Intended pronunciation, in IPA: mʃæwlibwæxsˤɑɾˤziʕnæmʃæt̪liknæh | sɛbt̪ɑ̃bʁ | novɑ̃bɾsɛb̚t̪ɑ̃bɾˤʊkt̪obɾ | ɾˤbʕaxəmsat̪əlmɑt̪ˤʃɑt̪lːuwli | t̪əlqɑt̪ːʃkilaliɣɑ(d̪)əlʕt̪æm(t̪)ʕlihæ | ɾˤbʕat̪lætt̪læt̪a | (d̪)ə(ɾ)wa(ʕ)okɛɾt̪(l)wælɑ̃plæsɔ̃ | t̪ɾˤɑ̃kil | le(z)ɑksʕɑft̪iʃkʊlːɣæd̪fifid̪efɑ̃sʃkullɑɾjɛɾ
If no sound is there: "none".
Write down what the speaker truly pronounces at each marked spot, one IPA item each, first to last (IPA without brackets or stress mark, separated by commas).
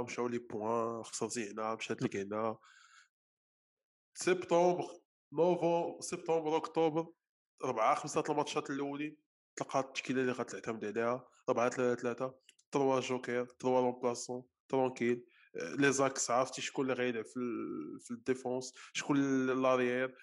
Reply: t̪, d̪, t̪, ɾ, ʒ, ɾ, z